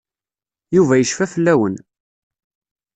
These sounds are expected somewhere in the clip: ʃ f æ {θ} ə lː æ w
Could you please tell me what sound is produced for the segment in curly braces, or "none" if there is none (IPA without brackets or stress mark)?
f